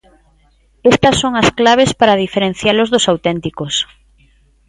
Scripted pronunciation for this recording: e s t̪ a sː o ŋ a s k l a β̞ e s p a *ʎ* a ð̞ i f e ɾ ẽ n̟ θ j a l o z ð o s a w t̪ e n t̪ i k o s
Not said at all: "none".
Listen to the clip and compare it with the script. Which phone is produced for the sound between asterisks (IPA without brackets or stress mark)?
ɾ